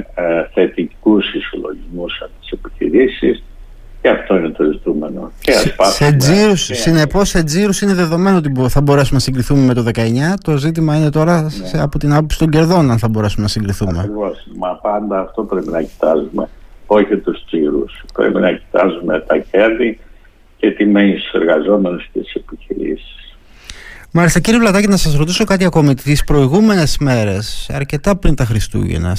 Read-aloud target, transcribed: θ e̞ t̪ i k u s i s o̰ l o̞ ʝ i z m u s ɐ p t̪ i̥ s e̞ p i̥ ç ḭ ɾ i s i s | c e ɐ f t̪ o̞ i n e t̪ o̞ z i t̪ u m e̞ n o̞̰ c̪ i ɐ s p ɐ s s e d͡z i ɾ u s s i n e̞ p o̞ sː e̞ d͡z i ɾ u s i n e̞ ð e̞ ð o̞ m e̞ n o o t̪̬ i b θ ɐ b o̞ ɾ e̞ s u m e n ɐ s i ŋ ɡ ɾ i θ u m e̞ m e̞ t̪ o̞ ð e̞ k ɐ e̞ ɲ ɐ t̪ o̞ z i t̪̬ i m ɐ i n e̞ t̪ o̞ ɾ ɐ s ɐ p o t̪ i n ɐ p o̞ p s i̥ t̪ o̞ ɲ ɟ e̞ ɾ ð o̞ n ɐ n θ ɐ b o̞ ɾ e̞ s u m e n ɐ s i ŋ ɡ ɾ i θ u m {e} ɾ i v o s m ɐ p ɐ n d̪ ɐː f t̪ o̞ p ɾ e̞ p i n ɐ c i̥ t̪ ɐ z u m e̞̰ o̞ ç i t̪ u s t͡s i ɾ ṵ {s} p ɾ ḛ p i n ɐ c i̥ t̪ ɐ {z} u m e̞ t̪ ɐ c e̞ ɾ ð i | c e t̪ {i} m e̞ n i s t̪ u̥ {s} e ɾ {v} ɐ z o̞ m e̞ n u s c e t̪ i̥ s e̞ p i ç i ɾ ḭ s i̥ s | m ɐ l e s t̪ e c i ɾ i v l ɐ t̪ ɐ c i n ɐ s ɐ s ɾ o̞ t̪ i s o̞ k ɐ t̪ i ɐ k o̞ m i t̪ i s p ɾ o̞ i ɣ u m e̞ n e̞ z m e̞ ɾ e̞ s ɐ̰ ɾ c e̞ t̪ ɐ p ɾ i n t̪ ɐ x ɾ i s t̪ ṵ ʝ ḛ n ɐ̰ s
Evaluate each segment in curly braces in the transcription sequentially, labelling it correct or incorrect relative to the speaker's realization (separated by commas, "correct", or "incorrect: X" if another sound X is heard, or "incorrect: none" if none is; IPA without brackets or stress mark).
correct, correct, correct, correct, correct, incorrect: ɣ